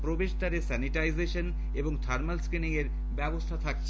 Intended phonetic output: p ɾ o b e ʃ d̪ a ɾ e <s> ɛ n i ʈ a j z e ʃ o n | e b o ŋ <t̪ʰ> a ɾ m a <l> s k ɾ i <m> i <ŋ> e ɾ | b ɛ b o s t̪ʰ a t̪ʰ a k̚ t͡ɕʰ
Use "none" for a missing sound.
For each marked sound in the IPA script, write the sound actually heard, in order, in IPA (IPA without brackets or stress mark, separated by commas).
s, t̪ʰ, l, n, ŋ